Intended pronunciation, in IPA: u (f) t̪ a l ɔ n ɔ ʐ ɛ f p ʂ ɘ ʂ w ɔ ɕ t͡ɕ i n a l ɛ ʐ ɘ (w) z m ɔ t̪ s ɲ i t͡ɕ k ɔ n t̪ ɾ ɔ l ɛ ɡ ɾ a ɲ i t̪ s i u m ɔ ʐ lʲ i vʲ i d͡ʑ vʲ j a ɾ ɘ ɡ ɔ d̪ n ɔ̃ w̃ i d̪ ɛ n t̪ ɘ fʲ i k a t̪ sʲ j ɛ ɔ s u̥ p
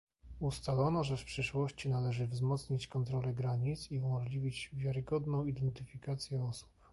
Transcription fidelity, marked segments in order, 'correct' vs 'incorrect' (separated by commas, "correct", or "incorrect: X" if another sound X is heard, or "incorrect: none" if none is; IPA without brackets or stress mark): incorrect: s, incorrect: v